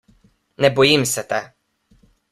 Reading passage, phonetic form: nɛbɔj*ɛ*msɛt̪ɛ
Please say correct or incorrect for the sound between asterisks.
incorrect